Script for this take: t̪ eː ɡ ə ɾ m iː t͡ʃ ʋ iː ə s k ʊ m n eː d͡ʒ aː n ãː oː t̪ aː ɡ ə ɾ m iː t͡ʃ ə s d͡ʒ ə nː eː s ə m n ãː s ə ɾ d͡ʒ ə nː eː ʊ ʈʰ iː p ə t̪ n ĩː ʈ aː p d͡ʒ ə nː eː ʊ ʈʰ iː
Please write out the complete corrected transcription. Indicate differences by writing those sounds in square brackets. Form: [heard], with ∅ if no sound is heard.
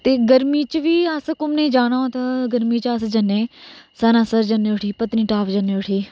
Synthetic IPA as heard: t̪ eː ɡ ə ɾ m iː t͡ʃ ʋ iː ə s k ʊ m n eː d͡ʒ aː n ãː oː t̪ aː ɡ ə ɾ m iː t͡ʃ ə s d͡ʒ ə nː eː s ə [∅] n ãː s ə ɾ d͡ʒ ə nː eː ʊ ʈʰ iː p ə t̪ n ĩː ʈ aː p d͡ʒ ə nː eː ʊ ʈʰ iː